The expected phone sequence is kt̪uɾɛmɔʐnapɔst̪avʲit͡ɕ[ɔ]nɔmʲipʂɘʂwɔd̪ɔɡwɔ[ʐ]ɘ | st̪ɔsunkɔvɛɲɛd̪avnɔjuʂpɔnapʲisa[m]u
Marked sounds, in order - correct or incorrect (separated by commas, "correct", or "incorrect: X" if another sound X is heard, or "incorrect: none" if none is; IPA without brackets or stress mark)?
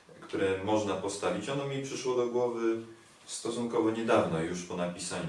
correct, incorrect: v, incorrect: ɲ